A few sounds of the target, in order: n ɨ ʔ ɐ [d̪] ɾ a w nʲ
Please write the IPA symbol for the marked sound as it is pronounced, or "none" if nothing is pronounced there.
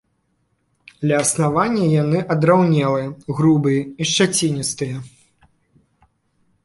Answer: d̪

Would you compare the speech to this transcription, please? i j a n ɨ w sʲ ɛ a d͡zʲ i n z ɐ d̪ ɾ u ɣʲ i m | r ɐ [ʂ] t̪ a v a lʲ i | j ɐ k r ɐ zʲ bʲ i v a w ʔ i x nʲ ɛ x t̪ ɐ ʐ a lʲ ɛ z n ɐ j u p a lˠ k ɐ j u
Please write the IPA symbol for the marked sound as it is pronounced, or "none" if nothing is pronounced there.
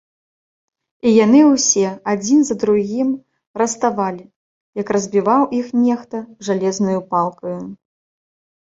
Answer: s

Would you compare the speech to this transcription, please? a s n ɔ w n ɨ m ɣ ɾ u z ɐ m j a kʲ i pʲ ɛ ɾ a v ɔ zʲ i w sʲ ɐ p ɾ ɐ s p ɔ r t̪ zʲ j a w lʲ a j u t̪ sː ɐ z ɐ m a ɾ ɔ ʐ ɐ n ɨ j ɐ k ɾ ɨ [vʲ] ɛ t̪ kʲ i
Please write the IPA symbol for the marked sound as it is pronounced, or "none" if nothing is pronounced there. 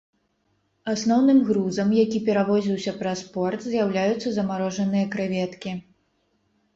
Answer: vʲ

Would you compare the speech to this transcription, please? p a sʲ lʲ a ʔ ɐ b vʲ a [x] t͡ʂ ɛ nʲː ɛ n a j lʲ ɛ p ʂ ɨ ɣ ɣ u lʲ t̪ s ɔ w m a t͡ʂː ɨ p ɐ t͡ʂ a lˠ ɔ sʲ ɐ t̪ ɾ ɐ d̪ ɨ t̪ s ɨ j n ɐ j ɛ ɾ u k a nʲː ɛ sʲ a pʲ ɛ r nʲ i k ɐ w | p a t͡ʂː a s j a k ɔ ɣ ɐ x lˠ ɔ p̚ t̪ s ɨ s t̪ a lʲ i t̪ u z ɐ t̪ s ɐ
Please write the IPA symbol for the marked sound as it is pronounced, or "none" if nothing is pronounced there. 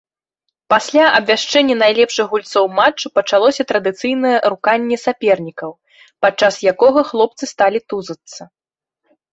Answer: ʂ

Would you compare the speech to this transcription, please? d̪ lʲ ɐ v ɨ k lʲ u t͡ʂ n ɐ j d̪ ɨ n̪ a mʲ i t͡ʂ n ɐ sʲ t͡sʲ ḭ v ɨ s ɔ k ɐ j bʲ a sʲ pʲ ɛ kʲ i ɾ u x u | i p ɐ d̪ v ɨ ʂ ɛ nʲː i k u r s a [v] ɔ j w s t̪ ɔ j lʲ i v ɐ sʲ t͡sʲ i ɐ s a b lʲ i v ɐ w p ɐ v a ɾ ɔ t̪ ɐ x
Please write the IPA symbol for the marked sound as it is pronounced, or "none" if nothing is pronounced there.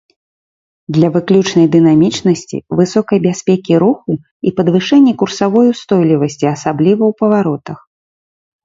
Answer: v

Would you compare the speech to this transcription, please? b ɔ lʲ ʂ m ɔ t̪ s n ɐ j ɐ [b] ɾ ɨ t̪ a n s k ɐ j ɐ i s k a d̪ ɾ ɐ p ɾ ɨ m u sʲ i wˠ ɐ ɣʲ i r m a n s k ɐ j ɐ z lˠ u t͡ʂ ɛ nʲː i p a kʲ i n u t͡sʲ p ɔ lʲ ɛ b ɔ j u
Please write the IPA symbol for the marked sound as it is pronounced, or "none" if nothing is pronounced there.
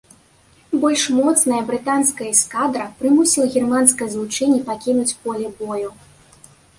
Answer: b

